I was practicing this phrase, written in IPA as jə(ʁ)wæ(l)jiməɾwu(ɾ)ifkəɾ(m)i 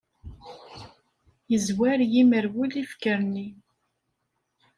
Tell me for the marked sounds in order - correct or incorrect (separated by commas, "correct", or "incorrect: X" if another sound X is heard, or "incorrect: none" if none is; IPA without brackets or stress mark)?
incorrect: z, incorrect: ɾ, incorrect: l, incorrect: n